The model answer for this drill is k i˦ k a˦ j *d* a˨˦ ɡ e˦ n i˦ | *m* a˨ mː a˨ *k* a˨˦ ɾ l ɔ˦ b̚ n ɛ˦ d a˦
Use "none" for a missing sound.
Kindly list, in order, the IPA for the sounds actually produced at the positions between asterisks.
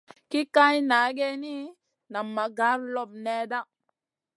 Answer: n, n, ɡ

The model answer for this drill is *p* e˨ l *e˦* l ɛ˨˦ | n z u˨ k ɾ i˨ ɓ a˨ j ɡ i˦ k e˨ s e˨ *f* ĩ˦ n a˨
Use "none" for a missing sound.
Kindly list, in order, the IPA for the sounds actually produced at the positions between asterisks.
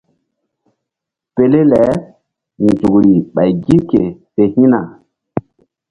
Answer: p, e˦, h

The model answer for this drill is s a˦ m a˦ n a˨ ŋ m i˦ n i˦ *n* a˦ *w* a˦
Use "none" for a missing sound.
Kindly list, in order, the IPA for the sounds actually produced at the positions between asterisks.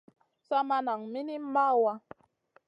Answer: m, w

